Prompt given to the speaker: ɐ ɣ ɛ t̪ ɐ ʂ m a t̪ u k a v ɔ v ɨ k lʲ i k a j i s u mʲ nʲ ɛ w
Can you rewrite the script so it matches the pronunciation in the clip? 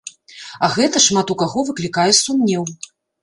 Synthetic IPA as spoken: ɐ ɣ ɛ t̪ ɐ ʂ m a t̪ u k a ɣ ɔ v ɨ k lʲ i k a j ɛ s u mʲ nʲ ɛ w